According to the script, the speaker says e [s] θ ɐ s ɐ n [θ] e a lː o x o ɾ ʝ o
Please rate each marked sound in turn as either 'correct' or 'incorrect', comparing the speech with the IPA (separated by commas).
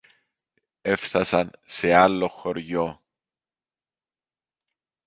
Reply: incorrect, incorrect